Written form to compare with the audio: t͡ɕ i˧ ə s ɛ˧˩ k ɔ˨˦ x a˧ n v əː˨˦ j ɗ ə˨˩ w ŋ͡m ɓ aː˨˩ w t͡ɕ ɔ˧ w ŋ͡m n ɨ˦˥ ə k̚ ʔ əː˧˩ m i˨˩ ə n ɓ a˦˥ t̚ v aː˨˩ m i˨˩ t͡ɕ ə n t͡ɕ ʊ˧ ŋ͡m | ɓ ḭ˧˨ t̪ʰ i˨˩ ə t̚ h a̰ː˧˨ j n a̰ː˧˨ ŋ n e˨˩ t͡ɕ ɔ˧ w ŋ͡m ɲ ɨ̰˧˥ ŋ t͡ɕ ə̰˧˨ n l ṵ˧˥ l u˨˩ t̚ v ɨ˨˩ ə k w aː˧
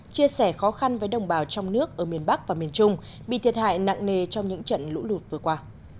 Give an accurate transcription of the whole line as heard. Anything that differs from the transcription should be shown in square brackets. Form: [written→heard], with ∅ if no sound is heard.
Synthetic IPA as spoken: t͡ɕ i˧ ə s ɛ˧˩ [k→x] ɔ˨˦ x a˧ n v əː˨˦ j ɗ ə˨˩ w ŋ͡m ɓ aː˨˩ w t͡ɕ ɔ˧ w ŋ͡m n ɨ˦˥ ə k̚ ʔ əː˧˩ m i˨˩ ə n ɓ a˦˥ [t̚→k̚] v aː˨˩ m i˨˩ [t͡ɕ→∅] ə n t͡ɕ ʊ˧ ŋ͡m | ɓ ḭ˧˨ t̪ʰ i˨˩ ə t̚ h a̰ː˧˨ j n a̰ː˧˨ ŋ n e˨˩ t͡ɕ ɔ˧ w ŋ͡m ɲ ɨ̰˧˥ ŋ t͡ɕ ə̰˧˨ n l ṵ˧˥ l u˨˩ t̚ v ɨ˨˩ ə k w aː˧